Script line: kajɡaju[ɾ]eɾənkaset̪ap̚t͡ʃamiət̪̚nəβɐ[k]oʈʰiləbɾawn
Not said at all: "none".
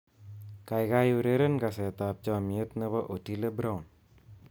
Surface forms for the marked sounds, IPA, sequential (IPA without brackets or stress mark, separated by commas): ɾ, ʔ